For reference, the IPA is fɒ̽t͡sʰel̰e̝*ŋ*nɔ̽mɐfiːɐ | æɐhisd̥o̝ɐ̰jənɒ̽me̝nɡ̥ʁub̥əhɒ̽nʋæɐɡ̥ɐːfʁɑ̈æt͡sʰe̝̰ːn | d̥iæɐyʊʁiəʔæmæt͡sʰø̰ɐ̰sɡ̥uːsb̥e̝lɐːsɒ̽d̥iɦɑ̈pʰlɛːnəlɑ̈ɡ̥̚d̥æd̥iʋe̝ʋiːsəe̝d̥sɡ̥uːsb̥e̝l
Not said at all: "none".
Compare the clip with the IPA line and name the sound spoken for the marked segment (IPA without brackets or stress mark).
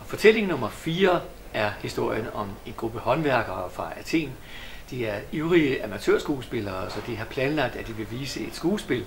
ŋ